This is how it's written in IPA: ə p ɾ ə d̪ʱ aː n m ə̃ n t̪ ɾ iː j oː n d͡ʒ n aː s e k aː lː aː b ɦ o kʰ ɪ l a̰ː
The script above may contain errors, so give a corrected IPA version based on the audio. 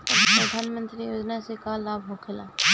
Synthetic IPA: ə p ɾ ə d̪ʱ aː n m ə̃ n t̪ ɾ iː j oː d͡ʒ n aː s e k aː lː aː b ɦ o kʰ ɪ l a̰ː